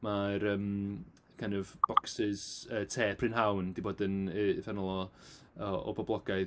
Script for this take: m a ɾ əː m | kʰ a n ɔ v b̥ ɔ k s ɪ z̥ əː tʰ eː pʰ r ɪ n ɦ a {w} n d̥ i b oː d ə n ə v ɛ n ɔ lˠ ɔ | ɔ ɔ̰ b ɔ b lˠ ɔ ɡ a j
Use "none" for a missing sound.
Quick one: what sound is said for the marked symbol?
w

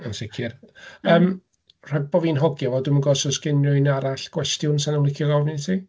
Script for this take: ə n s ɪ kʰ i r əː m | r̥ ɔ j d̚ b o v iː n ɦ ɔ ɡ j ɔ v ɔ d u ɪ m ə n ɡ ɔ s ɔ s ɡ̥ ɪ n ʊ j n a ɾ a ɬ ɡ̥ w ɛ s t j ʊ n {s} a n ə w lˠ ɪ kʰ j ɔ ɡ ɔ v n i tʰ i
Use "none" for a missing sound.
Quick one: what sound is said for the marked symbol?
s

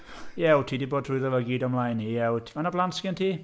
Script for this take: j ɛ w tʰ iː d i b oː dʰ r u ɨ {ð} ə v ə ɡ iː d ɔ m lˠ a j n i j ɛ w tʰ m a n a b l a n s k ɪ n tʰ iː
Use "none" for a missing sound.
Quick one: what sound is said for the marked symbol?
ð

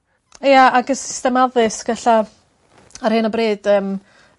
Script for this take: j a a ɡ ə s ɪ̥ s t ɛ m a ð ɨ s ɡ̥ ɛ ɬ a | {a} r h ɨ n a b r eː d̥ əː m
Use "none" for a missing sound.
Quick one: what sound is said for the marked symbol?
a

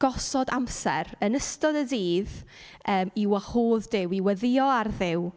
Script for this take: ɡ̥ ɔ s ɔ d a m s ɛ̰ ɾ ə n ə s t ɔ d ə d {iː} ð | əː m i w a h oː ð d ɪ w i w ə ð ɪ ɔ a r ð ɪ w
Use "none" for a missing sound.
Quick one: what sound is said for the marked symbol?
iː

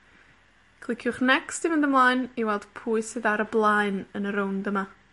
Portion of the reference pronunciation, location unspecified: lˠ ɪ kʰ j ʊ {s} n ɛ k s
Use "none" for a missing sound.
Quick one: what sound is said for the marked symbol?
χ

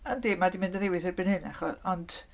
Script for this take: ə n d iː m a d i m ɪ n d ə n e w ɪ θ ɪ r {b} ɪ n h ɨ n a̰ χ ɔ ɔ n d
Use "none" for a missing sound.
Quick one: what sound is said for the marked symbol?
b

